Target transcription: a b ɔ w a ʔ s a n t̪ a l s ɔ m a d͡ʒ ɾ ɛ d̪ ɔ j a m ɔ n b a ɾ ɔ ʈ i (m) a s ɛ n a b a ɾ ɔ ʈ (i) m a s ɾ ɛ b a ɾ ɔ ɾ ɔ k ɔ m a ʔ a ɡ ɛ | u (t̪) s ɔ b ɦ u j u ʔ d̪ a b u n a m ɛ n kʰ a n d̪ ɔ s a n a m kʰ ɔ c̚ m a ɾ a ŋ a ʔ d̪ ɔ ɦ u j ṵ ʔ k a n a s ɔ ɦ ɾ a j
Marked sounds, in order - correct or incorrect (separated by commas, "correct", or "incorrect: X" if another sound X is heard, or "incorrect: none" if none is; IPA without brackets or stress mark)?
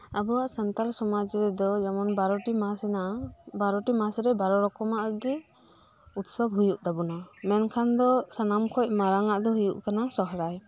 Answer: correct, correct, correct